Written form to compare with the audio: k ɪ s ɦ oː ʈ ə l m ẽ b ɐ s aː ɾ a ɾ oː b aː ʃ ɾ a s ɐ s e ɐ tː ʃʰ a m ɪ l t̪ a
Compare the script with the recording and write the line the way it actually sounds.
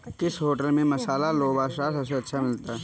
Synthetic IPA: k ɪ s ɦ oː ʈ ə l m ẽ m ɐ s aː l a l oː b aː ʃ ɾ a s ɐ s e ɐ tː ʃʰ a m ɪ l t̪ a